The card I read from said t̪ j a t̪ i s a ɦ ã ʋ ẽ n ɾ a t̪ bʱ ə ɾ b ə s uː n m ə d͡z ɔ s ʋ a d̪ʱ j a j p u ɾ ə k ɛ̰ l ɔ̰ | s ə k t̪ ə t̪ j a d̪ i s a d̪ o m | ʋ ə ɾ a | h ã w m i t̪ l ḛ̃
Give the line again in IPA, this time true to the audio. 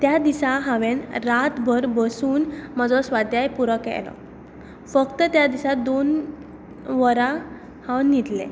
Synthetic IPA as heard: t̪ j a d̪ i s a ɦ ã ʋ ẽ n ɾ a t̪ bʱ ə ɾ b ə s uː n m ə d͡z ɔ s ʋ a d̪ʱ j a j p u ɾ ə k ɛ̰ l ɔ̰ | f ə k t̪ ə t̪ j a d̪ i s a d̪ o n | ʋ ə ɾ a | h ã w n i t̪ l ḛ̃